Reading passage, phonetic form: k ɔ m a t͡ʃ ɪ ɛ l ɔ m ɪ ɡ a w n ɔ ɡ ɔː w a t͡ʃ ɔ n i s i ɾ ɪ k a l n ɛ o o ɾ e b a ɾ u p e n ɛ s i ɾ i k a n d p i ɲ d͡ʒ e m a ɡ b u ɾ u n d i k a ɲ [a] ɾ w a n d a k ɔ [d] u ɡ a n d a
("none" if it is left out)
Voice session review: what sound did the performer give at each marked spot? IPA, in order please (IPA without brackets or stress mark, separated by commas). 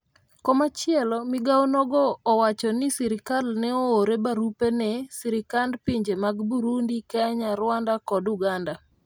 a, d